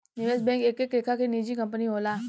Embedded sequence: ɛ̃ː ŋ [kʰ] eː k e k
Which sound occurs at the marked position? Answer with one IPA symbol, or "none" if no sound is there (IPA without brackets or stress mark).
k